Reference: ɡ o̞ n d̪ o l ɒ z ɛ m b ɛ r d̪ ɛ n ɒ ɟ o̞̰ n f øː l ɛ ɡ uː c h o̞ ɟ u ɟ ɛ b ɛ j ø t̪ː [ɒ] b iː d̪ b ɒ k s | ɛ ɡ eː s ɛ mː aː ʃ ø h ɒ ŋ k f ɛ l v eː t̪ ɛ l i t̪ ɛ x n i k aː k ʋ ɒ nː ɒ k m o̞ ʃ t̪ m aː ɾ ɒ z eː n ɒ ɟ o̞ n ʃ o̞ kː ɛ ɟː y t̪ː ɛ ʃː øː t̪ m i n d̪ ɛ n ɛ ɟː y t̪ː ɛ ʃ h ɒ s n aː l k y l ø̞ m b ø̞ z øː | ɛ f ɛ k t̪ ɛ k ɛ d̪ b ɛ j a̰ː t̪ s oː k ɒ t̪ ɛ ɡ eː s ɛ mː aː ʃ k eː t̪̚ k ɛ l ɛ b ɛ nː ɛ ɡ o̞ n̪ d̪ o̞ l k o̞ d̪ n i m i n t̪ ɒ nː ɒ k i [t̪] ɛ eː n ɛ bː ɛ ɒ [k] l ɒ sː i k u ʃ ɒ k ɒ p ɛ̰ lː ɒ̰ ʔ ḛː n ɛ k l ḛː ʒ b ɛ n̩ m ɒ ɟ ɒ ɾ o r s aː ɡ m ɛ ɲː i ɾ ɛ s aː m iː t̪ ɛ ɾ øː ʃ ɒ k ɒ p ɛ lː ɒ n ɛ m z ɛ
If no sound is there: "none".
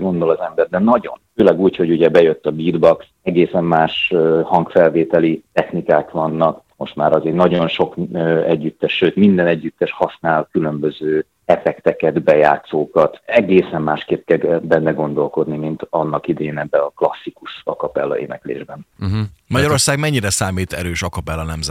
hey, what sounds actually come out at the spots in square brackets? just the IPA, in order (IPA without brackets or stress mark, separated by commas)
ɒ, d̪, k